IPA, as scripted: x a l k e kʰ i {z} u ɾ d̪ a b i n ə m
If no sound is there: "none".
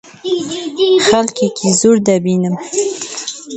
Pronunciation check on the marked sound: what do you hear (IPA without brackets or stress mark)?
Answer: z